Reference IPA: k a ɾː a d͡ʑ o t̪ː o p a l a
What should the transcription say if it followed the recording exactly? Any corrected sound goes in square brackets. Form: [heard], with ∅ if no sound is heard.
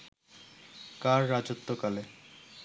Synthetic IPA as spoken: k a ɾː a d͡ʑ o t̪ː o [k] a l [e]